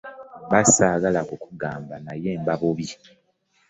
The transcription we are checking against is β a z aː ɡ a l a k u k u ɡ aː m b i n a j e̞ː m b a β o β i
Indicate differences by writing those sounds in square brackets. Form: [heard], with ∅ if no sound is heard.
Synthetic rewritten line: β a [s] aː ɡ a l a k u k u ɡ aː m b [a] n a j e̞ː m b a β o β i